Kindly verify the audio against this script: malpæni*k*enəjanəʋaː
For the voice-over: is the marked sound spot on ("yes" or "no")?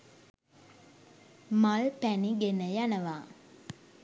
no